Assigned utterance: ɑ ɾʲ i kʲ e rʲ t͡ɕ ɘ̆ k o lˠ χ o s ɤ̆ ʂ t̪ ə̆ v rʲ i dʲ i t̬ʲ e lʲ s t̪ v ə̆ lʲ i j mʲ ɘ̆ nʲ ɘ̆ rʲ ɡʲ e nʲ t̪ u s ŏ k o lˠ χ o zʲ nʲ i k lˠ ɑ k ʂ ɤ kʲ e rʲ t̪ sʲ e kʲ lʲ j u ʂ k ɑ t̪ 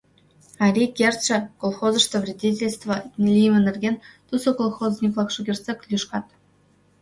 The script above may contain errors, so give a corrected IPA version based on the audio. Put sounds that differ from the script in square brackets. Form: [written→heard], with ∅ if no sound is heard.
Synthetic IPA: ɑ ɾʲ i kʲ e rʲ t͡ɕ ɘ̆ k o lˠ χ o [s→z] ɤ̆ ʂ t̪ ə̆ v rʲ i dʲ i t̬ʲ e lʲ s t̪ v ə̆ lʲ i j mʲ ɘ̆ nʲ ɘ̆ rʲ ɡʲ e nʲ t̪ u s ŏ k o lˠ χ o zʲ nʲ i k lˠ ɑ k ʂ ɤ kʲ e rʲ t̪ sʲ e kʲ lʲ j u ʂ k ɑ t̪